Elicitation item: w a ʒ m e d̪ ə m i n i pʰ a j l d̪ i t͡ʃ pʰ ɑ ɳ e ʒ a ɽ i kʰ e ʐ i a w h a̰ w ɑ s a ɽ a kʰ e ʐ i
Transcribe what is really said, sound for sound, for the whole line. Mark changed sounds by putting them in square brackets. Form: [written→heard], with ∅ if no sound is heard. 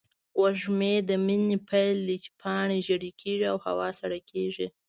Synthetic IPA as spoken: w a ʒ m e d̪ ə m i n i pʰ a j l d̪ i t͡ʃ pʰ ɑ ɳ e ʒ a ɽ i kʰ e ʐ i a w h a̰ w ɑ s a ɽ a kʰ e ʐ i